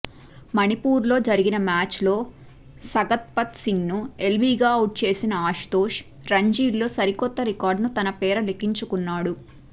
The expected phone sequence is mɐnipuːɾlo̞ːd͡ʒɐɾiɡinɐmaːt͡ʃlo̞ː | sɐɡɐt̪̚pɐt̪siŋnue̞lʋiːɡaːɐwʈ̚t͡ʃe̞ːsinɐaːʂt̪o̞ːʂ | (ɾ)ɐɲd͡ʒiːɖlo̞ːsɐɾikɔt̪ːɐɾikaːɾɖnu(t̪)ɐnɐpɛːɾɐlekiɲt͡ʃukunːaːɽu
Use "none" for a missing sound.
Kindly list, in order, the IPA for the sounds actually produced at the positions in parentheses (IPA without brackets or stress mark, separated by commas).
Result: ɾ, t̪